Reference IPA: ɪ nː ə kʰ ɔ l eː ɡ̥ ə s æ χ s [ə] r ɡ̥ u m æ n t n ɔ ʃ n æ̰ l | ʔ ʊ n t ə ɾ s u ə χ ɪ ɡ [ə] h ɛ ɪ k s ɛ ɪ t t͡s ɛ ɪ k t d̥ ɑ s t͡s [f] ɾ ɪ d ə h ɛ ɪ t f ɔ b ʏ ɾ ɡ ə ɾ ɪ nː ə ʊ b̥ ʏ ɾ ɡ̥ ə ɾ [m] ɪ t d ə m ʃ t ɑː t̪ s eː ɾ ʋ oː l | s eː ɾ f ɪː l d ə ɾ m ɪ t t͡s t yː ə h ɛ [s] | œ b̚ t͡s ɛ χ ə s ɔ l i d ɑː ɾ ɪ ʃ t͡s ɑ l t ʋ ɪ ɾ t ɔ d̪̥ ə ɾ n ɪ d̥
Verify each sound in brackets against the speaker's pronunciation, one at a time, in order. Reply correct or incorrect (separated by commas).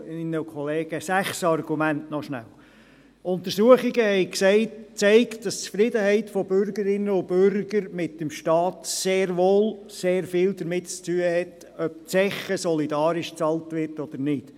incorrect, correct, correct, correct, incorrect